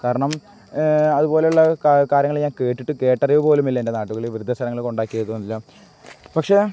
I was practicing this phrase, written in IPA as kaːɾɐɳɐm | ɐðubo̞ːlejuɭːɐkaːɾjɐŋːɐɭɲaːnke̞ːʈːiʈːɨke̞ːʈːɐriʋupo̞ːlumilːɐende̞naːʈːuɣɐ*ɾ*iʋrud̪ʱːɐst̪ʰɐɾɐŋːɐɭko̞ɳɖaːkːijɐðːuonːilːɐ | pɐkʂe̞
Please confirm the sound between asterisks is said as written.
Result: no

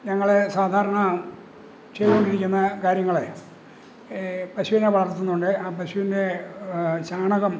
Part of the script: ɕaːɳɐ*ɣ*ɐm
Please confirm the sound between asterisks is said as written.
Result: yes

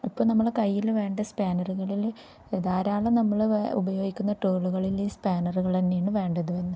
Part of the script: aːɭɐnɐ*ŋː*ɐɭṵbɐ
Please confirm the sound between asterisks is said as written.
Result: no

